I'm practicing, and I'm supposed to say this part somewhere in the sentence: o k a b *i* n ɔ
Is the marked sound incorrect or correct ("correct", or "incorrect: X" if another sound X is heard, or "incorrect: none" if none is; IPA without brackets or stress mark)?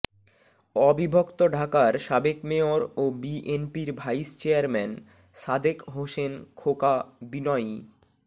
correct